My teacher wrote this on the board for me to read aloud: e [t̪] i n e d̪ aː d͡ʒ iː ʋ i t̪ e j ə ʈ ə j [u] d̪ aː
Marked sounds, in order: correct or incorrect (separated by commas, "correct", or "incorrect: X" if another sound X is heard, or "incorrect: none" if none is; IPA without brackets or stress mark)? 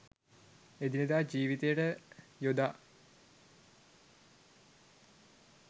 incorrect: d̪, incorrect: o